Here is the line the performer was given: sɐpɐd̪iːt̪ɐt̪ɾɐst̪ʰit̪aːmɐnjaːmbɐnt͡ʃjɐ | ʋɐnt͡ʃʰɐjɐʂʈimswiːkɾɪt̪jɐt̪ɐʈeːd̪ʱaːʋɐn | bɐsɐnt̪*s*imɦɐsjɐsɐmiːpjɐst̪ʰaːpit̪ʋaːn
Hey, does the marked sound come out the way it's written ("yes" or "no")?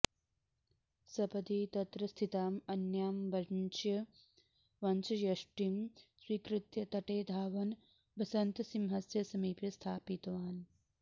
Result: yes